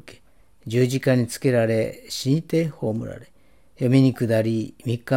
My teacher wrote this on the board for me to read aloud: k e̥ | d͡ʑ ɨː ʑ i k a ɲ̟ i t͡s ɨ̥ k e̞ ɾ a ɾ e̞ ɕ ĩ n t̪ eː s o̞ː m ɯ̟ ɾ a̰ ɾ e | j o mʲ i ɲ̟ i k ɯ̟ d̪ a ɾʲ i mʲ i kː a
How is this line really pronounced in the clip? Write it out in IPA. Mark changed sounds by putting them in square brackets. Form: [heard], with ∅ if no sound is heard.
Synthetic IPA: k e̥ | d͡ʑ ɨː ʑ i k a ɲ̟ i t͡s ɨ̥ k e̞ ɾ a ɾ e̞ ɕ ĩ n t̪ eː [h] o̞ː m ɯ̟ ɾ a̰ ɾ e | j o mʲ i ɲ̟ i k ɯ̟ d̪ a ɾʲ i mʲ i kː a